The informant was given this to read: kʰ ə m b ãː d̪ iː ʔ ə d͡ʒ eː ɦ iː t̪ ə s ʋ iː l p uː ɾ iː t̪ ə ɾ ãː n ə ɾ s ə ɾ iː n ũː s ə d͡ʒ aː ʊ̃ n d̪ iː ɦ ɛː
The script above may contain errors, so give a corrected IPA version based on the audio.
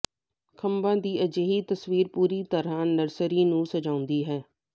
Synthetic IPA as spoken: kʰ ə m b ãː d̪ iː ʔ ə d͡ʒ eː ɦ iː t̪ ə s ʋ iː ɾ p uː ɾ iː t̪ ə ɾ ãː n ə ɾ s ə ɾ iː n ũː s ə d͡ʒ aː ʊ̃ n d̪ iː ɦ ɛː